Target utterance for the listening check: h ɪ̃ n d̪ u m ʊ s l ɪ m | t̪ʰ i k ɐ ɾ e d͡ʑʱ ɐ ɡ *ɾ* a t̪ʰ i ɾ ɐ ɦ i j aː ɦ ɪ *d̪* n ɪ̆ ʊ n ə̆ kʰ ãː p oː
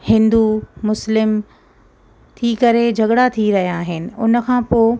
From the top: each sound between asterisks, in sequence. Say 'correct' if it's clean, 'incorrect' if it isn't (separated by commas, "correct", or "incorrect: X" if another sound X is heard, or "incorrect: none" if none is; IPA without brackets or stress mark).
incorrect: ɽ, incorrect: none